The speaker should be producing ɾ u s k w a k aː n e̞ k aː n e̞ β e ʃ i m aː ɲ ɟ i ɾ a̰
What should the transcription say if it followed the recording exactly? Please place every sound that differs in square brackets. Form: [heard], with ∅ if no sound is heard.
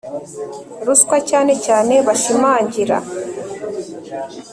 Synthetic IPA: ɾ u s k w a [c] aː n e̞ [c] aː n e̞ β [a] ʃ i m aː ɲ ɟ i ɾ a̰